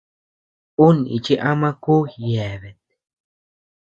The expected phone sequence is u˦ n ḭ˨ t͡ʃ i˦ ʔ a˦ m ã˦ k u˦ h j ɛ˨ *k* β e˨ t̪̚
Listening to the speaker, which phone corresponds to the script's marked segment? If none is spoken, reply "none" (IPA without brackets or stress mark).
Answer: none